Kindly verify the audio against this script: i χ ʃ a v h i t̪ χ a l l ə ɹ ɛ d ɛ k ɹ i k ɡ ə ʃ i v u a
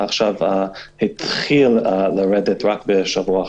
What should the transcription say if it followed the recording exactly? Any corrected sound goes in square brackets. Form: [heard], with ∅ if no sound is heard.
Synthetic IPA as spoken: [a] χ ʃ a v h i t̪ χ [i] l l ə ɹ ɛ d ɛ [t] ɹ [a] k [b] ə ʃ [a] v u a